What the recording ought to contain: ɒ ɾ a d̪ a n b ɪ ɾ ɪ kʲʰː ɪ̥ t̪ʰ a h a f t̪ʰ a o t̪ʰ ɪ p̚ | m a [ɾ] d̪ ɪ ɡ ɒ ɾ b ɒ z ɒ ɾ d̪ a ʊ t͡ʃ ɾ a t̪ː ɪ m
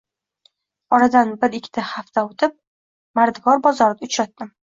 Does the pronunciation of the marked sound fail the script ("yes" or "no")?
no